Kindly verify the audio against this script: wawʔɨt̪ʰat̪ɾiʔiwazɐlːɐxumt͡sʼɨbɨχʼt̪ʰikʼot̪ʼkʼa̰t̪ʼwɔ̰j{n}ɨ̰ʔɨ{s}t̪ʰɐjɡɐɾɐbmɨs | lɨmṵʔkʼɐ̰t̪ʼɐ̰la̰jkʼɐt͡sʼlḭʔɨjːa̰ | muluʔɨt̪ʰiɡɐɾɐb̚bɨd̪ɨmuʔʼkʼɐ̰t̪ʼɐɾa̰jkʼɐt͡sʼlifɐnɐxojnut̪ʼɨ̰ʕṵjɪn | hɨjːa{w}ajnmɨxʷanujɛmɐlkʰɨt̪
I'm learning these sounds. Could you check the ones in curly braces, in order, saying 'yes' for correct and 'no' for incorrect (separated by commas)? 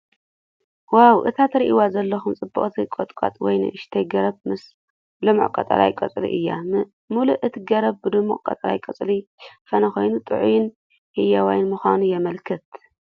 yes, no, yes